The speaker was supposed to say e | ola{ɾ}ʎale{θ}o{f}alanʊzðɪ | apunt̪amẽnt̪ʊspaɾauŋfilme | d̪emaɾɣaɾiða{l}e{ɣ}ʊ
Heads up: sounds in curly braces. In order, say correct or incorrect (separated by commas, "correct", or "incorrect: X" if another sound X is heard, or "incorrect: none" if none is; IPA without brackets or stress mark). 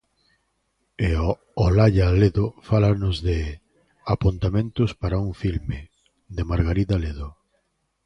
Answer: incorrect: none, incorrect: ð, correct, correct, incorrect: ð